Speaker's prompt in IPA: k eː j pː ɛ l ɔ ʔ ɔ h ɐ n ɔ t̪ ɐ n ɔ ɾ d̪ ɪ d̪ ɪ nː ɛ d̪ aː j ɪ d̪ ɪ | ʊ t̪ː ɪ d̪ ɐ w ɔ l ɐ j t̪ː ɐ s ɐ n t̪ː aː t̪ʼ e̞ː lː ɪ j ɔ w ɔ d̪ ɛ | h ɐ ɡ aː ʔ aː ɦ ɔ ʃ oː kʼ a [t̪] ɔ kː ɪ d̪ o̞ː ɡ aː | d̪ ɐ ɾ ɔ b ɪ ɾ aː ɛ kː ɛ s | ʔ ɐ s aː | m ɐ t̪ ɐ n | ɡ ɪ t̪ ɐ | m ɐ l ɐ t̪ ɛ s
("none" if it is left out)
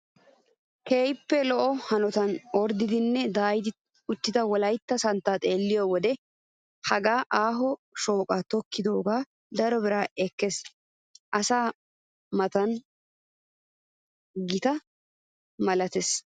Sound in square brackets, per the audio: t̪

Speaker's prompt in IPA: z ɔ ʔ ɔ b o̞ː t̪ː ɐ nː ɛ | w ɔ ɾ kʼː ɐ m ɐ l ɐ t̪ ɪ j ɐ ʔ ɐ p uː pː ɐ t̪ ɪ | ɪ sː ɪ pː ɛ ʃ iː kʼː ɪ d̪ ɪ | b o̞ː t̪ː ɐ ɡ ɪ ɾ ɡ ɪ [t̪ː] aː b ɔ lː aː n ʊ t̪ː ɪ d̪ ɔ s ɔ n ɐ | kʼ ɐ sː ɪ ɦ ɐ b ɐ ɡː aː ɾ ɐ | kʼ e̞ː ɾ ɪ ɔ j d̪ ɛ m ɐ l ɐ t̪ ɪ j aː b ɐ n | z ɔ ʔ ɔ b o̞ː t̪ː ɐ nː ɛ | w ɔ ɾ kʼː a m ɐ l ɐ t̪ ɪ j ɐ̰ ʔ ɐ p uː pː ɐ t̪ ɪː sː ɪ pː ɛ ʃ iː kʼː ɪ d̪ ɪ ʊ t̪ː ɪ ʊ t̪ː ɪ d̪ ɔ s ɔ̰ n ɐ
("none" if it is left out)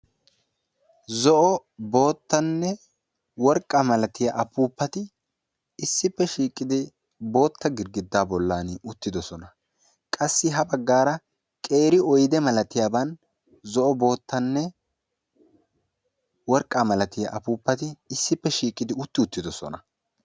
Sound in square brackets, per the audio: d̪ː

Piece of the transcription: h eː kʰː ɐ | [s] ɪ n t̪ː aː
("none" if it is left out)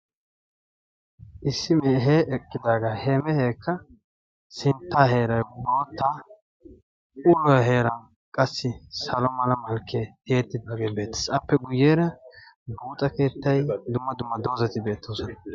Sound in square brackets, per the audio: s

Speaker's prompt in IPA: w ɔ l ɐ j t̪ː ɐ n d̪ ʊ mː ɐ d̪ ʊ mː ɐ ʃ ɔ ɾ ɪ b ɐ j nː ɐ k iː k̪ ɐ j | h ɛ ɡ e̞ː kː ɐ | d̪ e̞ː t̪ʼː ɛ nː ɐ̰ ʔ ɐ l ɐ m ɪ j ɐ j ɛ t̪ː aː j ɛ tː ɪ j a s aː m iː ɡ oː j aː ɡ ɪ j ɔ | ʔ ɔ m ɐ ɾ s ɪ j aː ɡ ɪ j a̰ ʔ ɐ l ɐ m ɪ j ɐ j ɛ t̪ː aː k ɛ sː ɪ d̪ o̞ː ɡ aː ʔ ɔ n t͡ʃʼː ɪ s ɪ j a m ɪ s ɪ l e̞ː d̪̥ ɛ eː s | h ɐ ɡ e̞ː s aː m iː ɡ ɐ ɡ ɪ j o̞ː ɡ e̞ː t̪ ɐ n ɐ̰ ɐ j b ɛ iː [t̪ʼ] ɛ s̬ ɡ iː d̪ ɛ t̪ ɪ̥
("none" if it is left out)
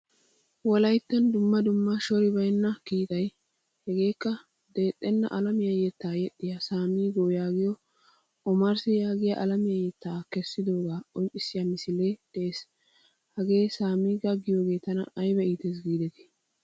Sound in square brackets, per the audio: t̪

